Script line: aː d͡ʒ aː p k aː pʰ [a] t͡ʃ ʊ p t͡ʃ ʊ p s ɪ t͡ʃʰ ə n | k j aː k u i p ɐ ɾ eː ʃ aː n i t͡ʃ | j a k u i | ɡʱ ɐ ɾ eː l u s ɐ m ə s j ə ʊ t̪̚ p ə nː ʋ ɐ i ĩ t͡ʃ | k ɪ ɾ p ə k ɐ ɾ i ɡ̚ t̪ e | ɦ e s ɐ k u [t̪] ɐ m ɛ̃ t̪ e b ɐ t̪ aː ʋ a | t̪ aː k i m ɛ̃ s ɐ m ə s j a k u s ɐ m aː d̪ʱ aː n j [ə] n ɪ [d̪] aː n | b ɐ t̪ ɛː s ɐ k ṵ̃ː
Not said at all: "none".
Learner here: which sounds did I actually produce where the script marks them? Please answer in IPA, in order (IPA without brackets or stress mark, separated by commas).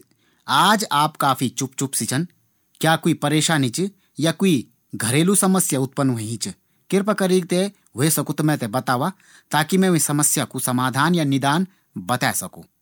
i, t̪, a, d̪